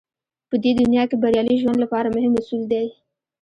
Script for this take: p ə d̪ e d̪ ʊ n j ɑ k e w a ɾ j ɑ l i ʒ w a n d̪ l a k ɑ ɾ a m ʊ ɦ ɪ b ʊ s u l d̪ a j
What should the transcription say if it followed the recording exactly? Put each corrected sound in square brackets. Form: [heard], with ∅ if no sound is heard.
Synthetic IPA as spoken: p ə d̪ e d̪ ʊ n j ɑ k e [b] a ɾ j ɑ l i ʒ w a n d̪ l a [p] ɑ ɾ a m ʊ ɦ ɪ [m] ʊ s u l d̪ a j